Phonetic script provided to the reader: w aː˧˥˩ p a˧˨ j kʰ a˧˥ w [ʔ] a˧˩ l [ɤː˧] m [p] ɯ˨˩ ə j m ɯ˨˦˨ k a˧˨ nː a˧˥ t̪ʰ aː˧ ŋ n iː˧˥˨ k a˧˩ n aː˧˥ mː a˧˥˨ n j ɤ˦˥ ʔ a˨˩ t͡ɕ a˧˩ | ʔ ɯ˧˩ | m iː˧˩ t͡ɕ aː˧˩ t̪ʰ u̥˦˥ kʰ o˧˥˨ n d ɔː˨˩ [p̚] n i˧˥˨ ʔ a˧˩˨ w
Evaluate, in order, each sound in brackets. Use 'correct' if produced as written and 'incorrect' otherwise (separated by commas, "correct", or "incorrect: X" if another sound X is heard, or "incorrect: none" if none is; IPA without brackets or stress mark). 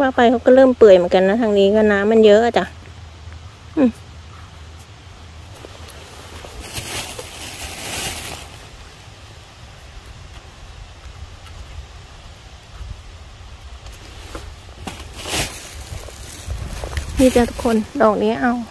incorrect: k, incorrect: ɤː˥˩˨, correct, incorrect: k̚